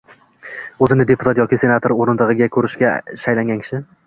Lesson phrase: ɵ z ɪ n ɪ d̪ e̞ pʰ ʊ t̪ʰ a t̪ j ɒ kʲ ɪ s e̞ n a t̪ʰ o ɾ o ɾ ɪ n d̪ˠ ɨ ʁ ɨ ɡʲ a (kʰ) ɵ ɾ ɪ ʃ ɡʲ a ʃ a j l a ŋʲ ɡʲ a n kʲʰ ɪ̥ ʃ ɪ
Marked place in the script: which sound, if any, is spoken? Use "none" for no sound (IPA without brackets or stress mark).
kʰ